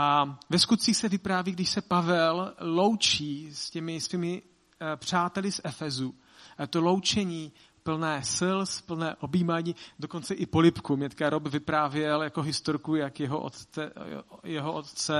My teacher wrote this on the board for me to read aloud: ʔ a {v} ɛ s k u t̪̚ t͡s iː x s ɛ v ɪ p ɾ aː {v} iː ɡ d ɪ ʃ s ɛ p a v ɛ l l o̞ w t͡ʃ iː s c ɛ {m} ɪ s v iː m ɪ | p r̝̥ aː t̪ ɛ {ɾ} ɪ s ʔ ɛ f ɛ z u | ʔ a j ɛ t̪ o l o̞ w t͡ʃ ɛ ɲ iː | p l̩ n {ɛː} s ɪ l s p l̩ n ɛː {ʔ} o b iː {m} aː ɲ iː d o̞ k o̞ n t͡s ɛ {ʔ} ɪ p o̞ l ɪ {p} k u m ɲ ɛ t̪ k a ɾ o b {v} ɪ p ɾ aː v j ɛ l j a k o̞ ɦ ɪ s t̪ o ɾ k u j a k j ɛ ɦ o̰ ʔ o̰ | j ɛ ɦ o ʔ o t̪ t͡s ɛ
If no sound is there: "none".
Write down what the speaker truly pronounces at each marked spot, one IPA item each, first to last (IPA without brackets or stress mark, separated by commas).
v, v, m, l, ɛː, ʔ, m, ʔ, p, v